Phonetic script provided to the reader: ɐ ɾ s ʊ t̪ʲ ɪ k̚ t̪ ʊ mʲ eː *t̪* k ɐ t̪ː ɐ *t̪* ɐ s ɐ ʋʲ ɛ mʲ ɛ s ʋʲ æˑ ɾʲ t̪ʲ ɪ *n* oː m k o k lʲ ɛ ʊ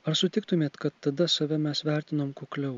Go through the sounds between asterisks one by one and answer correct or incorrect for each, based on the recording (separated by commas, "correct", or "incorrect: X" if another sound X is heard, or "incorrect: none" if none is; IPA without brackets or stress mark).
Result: correct, incorrect: d̪, correct